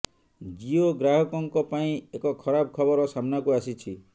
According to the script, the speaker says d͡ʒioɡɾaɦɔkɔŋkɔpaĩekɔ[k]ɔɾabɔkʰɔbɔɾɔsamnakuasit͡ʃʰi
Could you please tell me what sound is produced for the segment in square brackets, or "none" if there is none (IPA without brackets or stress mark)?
kʰ